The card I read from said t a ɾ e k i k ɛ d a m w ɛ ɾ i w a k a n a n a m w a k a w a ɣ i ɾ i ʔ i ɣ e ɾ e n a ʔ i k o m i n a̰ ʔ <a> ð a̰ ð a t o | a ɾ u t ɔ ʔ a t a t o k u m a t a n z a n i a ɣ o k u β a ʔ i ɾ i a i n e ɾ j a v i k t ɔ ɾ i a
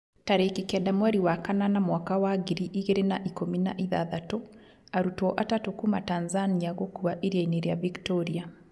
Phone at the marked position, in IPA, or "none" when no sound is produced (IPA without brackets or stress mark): i